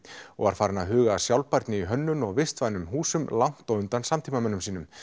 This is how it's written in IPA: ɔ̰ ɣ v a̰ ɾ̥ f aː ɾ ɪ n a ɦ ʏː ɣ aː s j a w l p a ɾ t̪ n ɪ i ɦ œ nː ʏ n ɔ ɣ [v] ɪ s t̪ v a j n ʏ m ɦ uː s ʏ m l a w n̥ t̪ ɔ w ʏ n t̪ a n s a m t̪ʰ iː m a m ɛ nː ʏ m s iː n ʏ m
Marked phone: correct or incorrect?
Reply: correct